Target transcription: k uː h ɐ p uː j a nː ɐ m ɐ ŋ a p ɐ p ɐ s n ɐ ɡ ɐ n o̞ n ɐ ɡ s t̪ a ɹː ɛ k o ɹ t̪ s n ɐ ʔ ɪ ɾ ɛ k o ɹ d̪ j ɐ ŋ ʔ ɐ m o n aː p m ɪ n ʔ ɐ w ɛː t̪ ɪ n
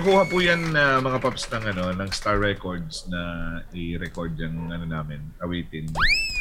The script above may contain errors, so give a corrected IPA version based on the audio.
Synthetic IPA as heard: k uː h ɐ p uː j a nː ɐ m ɐ ŋ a p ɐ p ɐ s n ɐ ŋ ɐ n o̞ n ɐ ŋ s t̪ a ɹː ɛ k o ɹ d̪ s n ɐ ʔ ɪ ɾ ɛ k o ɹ d̪ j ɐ ŋ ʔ ɐ n o n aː m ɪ n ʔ ɐ w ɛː t̪ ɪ n